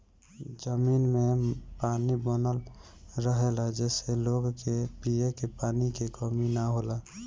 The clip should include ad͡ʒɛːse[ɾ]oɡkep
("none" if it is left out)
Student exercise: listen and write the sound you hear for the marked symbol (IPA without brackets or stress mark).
l